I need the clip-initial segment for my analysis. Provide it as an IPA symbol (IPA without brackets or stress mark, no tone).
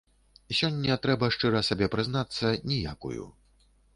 sʲ